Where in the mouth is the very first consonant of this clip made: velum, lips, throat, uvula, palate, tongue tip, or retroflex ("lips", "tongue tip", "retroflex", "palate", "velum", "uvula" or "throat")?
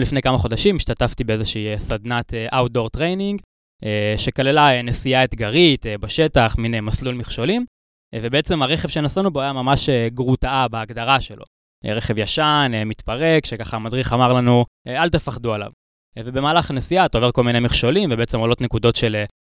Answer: tongue tip